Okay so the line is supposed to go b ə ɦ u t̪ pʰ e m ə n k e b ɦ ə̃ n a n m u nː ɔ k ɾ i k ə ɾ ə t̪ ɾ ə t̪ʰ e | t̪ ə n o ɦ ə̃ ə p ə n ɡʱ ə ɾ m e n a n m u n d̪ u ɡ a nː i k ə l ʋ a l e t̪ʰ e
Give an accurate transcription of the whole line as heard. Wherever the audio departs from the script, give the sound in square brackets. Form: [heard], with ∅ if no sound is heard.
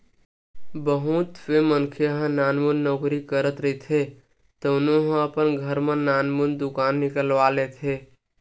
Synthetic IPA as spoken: b ə ɦ u t̪ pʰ e m ə n [kʰ] e [∅] ɦ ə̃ n a n m u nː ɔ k ɾ i k ə ɾ ə t̪ ɾ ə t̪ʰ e | t̪ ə n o ɦ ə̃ ə p ə n ɡʱ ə ɾ m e n a n m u n d̪ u [k] a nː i k ə l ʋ a l e t̪ʰ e

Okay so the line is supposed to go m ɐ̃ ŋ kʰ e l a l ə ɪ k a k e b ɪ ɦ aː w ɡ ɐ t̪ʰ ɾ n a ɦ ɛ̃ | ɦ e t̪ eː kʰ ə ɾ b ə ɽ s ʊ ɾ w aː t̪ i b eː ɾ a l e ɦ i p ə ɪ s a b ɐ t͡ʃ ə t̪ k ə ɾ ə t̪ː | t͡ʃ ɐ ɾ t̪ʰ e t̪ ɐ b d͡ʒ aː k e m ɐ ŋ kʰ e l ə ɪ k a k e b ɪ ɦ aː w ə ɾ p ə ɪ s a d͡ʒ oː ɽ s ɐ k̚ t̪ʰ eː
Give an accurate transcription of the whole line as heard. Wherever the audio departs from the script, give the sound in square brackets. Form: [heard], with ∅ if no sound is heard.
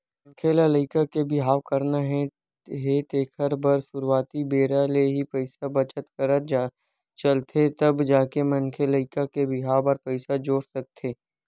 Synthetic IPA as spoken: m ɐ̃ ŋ kʰ e l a l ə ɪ k a k e b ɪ ɦ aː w [k] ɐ [∅] ɾ n a ɦ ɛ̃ | ɦ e t̪ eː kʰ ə ɾ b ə [ɾ] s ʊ ɾ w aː t̪ i b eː ɾ a l e ɦ i p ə ɪ s a b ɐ t͡ʃ ə t̪ k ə ɾ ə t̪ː | t͡ʃ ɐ [l] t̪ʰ e t̪ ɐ b d͡ʒ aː k e m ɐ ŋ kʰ e l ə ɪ k a k e b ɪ ɦ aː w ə ɾ p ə ɪ s a d͡ʒ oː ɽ s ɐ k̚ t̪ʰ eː

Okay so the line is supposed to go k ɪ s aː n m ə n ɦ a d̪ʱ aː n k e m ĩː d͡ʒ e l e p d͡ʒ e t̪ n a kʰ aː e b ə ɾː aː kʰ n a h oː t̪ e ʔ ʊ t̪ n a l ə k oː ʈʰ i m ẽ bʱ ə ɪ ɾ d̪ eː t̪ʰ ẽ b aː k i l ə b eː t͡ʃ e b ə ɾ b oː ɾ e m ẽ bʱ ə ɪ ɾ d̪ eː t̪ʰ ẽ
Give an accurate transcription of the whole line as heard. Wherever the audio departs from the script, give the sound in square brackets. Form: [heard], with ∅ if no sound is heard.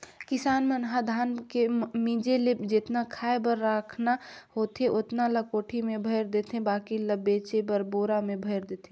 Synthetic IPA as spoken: k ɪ s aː n m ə n ɦ a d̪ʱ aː n k e m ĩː d͡ʒ e l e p d͡ʒ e t̪ n a kʰ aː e b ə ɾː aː kʰ n a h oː t̪ e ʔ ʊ t̪ n a l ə k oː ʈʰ i m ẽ bʱ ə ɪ ɾ d̪ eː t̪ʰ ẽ b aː k i l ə b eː t͡ʃ e b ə ɾ b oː ɾ [a] m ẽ bʱ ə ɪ ɾ d̪ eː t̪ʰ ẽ

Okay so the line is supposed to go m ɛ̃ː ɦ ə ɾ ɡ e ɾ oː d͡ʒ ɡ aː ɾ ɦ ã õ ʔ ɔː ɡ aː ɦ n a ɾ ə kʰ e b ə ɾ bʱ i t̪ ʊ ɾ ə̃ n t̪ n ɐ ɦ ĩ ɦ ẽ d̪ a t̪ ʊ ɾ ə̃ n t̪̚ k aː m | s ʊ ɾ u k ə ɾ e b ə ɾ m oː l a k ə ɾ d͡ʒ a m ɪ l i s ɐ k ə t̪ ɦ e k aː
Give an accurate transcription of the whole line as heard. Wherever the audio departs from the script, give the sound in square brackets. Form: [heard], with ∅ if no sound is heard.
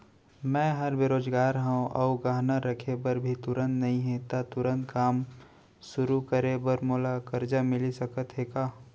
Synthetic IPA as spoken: m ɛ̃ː ɦ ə ɾ [b] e ɾ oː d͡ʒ ɡ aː ɾ ɦ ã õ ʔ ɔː ɡ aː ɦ n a ɾ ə kʰ e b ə ɾ bʱ i t̪ ʊ ɾ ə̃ n t̪ n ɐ ɦ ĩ ɦ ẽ [t̪] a t̪ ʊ ɾ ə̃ n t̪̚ k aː m | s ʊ ɾ u k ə ɾ e b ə ɾ m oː l a k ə ɾ d͡ʒ a m ɪ l i s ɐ k ə t̪ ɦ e k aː

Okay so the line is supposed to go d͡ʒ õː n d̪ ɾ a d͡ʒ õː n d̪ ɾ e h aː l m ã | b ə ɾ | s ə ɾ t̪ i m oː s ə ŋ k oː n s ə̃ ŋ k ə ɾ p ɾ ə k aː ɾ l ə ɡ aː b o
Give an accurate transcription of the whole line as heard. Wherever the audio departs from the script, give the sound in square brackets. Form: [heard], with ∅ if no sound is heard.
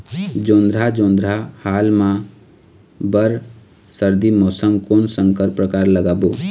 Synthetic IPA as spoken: d͡ʒ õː n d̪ ɾ a d͡ʒ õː n d̪ ɾ [a] h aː l m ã | b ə ɾ | s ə ɾ [d̪] i m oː s ə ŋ k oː n s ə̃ ŋ k ə ɾ p ɾ ə k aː ɾ l ə ɡ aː b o

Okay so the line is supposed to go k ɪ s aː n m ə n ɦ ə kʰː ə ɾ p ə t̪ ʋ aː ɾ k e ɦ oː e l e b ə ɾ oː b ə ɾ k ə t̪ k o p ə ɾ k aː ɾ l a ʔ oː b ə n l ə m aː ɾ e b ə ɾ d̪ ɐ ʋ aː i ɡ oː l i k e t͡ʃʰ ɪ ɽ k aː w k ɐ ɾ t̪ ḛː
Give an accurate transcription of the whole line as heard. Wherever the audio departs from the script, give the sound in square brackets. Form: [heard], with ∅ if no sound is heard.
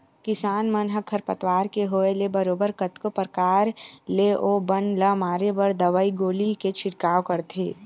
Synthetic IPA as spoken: k ɪ s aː n m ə n ɦ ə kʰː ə ɾ p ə t̪ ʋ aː ɾ k e ɦ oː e l e b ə ɾ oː b ə ɾ k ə t̪ k o p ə ɾ k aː ɾ l [e] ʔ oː b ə n l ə m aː ɾ e b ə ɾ d̪ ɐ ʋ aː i ɡ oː l i k e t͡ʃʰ ɪ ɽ k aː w k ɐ ɾ t̪ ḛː

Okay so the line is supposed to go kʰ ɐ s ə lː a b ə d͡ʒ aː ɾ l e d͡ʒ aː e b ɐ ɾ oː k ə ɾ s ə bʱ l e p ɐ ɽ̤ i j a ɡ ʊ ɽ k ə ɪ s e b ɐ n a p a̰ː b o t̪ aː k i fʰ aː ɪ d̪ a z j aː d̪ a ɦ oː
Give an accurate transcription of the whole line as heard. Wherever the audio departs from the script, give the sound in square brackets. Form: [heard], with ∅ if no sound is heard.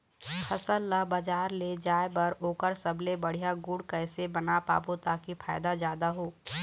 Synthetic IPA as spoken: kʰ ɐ s ə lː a b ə d͡ʒ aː ɾ l e d͡ʒ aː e b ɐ ɾ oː k ə ɾ s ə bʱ l e [b] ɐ ɽ̤ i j a ɡ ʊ ɽ k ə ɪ s e b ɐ n a p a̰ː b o t̪ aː k i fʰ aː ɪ d̪ a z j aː d̪ a ɦ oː

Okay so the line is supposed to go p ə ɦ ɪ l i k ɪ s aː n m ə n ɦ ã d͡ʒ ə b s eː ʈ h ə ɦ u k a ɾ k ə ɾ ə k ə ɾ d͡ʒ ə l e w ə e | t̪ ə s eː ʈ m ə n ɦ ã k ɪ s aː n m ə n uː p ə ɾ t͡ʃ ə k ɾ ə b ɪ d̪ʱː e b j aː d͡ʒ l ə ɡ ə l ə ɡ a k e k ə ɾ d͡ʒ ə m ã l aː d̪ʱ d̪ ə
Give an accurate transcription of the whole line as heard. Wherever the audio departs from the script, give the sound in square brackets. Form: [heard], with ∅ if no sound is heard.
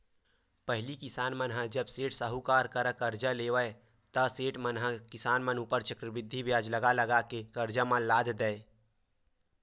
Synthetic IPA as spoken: p ə ɦ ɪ l i k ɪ s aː n m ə n ɦ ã d͡ʒ ə b s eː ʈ [s] ə ɦ u k a ɾ k ə ɾ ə k ə ɾ d͡ʒ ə l e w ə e | t̪ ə s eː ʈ m ə n ɦ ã k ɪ s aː n m ə n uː p ə ɾ t͡ʃ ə k ɾ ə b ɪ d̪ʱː [i] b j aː d͡ʒ l ə ɡ [a] l ə ɡ a k e k ə ɾ d͡ʒ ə m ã l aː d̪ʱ d̪ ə

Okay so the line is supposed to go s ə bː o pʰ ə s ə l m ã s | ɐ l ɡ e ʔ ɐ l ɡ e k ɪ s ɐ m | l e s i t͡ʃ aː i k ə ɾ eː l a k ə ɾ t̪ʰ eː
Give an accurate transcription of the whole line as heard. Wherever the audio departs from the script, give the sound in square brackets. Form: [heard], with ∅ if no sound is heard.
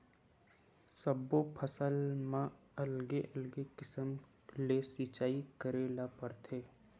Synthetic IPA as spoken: s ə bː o pʰ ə s ə l m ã [∅] | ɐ l ɡ e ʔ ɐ l ɡ e k ɪ s [ə] m | l e s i t͡ʃ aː i k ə ɾ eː l a [p] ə ɾ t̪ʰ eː

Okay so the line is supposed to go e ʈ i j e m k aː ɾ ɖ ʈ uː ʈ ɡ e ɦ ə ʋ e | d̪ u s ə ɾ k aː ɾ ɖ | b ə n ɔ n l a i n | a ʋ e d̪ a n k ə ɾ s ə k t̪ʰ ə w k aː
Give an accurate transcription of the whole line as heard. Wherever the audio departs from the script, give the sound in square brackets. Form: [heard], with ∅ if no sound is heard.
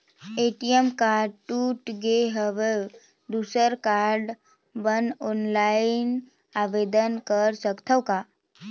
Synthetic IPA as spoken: e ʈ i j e m k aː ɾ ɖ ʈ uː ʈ ɡ e ɦ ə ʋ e | d̪ u s ə ɾ k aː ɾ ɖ | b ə n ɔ n l a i n | a ʋ e d̪ [ə] n k ə ɾ s ə k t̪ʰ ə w k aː

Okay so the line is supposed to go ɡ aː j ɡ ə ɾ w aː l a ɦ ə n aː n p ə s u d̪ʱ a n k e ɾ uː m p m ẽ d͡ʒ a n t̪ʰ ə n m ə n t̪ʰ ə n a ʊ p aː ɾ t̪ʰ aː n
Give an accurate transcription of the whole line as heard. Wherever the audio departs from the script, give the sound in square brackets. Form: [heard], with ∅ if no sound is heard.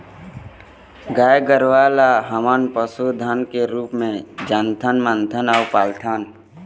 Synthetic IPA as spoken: ɡ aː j ɡ ə ɾ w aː l a ɦ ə [m] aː n p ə s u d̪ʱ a n k e ɾ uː [∅] p m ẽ d͡ʒ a n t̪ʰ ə n m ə n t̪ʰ ə n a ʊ p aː [l] t̪ʰ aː n

